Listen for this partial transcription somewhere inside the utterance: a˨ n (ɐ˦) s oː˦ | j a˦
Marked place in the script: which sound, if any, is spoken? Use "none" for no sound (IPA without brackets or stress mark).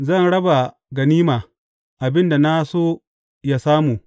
a˦